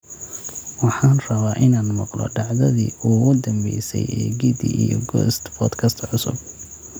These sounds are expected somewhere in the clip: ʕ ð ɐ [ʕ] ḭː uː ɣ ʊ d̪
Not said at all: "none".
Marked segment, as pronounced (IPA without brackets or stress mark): ð